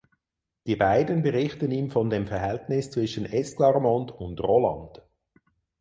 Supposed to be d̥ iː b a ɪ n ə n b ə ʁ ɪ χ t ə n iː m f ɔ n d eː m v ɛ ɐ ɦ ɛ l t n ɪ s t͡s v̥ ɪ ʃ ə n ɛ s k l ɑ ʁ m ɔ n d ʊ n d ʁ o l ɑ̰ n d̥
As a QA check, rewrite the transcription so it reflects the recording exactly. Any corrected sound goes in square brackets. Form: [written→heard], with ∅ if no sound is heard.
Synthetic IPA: d̥ iː b a ɪ [n→d] ə n b ə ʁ ɪ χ t ə n iː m f ɔ n d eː m [v→f] ɛ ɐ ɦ ɛ l t n ɪ s t͡s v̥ ɪ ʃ ə n ɛ s k l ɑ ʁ m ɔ n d ʊ n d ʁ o l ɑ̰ n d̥